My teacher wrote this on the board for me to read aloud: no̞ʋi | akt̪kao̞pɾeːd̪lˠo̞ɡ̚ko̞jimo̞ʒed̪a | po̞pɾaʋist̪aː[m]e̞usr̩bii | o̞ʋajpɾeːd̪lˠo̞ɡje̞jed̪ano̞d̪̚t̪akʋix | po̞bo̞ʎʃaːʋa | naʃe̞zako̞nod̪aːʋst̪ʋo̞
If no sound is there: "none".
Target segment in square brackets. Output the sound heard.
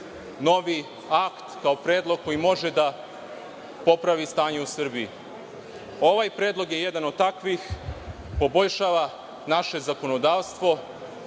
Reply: ɲ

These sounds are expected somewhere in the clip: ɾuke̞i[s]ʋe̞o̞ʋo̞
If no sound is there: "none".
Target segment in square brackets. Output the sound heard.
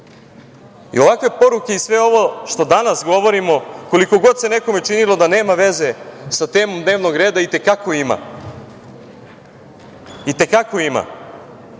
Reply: s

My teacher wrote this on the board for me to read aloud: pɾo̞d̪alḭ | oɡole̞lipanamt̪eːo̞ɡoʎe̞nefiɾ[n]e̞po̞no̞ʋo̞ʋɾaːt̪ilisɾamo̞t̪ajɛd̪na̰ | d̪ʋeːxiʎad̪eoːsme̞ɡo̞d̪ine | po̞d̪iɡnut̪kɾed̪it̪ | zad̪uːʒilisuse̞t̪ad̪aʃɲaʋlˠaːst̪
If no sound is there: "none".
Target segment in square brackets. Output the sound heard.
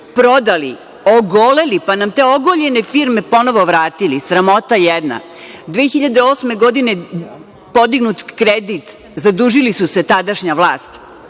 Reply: m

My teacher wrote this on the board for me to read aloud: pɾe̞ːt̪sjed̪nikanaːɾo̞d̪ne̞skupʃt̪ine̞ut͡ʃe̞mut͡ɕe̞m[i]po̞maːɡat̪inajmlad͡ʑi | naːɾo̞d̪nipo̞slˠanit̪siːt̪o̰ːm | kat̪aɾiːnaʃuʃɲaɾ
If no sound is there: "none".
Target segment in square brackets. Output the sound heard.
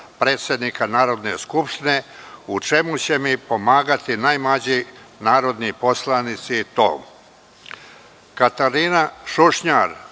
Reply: i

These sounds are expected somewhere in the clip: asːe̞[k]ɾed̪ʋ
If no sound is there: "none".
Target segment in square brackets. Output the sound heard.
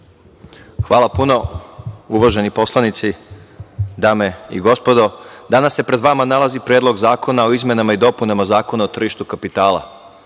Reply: p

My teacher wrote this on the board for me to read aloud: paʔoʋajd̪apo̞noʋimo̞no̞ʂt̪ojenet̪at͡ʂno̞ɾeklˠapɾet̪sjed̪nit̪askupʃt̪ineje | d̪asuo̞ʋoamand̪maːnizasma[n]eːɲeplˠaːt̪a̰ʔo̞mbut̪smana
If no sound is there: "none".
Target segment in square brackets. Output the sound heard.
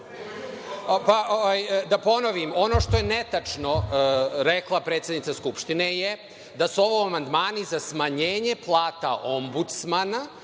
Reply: ɲ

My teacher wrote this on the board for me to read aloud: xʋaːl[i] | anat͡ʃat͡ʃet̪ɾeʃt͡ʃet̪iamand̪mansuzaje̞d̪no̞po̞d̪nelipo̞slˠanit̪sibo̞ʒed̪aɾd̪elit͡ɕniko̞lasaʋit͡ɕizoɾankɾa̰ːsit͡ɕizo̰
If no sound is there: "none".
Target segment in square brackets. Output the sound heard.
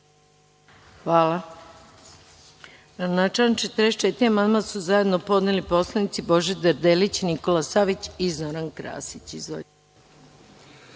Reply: a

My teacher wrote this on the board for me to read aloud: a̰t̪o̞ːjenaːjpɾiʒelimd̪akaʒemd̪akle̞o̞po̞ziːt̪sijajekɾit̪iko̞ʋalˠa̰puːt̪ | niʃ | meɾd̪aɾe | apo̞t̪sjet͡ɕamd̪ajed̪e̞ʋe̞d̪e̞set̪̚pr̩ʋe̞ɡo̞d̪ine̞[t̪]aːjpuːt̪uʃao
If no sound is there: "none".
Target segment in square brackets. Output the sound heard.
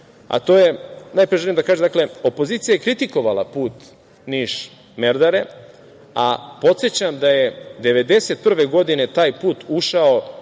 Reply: t̪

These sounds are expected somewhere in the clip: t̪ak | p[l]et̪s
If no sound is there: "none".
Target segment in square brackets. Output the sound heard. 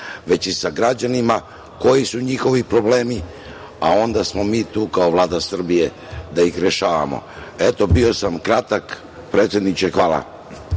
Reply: ɾ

